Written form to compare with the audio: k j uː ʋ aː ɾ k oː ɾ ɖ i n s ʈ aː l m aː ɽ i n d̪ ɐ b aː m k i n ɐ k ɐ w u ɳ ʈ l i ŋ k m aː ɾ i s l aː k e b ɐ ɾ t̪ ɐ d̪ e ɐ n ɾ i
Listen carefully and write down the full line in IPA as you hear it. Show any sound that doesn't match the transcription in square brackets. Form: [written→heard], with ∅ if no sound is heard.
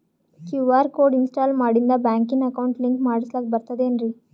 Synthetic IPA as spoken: k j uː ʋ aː ɾ k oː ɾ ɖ i n s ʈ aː l m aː ɽ i n d̪ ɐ b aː [m→ŋ] k i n ɐ k ɐ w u ɳ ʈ l i ŋ k m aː [ɾ→ɽ] i s l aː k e b ɐ ɾ t̪ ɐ d̪ e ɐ n ɾ i